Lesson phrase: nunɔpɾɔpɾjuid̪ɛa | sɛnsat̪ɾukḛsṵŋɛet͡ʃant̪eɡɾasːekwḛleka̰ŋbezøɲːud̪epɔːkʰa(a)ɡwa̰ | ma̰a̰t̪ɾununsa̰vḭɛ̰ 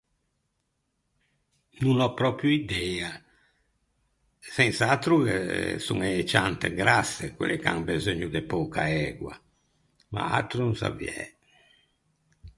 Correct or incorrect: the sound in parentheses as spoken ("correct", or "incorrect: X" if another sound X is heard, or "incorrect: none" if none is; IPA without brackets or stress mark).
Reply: incorrect: ɛ